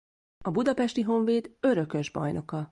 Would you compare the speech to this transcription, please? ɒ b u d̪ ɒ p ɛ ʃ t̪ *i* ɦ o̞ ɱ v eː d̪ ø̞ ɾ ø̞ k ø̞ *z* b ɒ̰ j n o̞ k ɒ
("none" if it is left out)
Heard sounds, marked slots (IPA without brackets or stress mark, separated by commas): i, ʒ